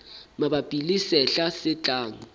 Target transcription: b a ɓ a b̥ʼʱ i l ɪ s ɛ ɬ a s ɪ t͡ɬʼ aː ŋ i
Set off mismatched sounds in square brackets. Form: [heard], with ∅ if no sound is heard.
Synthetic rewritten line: [m] a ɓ a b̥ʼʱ i l [i] s ɛ ɬ a s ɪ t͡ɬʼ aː ŋ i